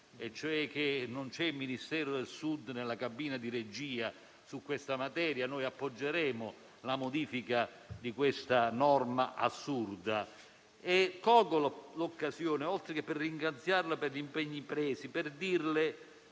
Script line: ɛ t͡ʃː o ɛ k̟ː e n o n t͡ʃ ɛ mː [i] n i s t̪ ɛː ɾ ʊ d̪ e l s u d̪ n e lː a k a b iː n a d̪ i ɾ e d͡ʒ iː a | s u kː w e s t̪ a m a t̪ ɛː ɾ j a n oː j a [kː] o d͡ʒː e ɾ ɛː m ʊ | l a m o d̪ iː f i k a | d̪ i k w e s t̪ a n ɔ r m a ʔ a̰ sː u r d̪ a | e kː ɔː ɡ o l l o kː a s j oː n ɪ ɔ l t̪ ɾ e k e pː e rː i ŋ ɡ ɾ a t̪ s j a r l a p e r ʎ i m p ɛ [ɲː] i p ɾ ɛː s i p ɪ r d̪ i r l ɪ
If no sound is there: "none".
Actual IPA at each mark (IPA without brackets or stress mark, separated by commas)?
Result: i, pː, ɲː